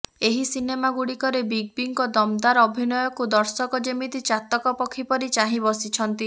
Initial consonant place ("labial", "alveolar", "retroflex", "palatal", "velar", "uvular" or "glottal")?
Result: glottal